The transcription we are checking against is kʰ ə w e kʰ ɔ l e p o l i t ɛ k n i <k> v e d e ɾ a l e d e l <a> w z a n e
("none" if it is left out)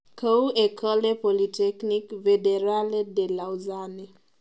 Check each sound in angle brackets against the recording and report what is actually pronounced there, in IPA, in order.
k, a

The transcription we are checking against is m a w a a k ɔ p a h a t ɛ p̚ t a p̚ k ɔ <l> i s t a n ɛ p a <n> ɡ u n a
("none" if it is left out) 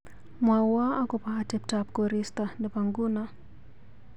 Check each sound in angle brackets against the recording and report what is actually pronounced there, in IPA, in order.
ɾ, ŋ

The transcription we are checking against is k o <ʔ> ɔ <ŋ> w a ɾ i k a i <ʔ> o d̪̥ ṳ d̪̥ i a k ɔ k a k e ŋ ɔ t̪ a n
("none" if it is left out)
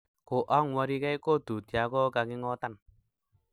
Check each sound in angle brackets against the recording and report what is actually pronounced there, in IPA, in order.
ʔ, ŋ, k

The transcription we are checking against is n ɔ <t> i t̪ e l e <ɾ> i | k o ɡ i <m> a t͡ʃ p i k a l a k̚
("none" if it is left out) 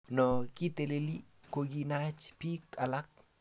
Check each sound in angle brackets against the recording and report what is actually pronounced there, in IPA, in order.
k, l, n

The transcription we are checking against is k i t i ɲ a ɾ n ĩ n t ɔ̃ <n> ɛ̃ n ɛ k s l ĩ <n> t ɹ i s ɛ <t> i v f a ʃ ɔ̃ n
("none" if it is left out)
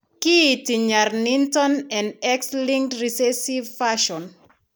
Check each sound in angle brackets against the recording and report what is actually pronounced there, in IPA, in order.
n, ŋ, s

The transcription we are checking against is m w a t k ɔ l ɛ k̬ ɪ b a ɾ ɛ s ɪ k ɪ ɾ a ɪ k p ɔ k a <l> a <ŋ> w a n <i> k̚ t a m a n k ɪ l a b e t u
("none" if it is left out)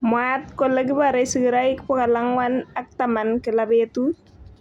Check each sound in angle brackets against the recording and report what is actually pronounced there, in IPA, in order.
l, ŋ, a

